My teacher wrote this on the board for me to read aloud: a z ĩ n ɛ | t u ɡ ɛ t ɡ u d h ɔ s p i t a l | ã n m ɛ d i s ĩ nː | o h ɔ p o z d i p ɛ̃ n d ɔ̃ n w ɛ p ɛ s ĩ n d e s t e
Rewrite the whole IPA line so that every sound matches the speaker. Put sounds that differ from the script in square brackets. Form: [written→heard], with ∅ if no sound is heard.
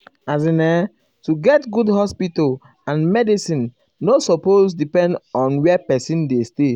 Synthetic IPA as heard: a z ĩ n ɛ | t u ɡ ɛ t ɡ u d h ɔ s p i t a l | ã n m ɛ d i s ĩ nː | o [h→s] ɔ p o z d i p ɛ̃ n d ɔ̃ n w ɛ p ɛ s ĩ n d e s t e